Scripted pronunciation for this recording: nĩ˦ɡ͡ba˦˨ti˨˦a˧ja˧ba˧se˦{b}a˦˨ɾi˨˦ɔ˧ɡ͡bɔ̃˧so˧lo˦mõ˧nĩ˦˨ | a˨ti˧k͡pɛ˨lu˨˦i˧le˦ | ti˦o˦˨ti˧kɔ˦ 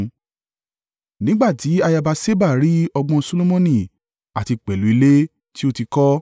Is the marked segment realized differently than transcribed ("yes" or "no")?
no